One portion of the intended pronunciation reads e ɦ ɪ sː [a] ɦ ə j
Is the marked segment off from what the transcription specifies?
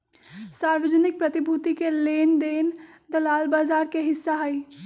no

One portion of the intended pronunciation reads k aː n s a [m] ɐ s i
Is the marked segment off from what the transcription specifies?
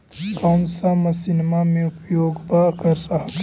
no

